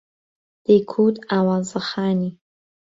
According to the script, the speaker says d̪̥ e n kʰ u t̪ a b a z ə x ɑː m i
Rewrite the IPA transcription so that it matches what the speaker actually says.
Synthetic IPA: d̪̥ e kʰ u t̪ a w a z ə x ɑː n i